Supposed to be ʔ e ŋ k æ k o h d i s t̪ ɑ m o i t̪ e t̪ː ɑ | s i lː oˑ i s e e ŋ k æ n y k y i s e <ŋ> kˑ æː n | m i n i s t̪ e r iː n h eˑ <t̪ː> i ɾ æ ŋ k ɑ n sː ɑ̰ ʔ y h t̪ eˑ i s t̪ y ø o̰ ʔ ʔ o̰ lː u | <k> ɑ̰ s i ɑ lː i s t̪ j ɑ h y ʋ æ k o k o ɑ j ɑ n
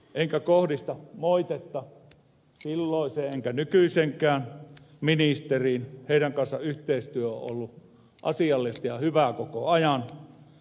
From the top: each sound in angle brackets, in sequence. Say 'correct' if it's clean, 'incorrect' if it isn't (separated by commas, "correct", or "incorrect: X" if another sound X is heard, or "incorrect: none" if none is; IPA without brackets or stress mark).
correct, incorrect: none, incorrect: ʔ